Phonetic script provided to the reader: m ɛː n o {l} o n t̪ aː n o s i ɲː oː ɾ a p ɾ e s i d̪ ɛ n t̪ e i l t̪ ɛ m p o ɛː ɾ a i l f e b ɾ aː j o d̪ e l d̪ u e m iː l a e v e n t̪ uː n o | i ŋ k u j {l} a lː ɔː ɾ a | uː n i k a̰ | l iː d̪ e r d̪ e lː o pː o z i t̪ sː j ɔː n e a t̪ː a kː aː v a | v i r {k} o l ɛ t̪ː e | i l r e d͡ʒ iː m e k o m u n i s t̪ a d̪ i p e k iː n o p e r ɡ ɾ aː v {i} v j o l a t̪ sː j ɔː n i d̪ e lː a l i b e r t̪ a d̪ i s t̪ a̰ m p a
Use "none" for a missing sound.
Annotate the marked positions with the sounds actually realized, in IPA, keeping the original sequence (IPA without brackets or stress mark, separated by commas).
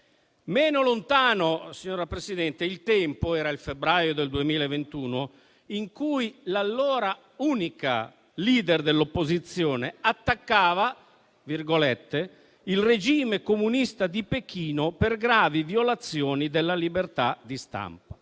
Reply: l, l, ɡ, i